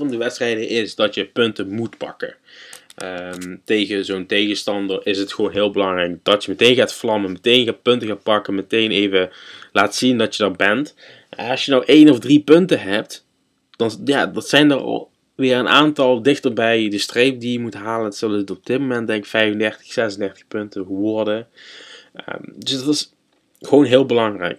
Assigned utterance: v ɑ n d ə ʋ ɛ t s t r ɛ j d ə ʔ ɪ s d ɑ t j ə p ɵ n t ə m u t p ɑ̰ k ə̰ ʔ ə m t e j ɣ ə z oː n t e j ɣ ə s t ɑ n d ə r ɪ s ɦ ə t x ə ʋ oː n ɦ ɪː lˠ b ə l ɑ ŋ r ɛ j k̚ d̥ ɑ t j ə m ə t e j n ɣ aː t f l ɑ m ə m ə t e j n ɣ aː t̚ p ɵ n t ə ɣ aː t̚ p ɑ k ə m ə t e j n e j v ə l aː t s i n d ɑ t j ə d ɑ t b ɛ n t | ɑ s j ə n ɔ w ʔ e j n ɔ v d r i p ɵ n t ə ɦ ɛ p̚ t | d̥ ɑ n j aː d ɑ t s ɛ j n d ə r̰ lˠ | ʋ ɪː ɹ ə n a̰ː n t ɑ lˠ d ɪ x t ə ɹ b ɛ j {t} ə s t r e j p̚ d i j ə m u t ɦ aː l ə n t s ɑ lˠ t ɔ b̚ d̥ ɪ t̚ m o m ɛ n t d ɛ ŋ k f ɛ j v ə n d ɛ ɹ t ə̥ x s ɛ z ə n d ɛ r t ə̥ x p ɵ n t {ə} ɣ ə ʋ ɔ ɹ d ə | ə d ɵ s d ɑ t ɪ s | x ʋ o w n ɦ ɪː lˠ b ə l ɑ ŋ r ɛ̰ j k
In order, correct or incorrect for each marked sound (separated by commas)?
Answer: incorrect, correct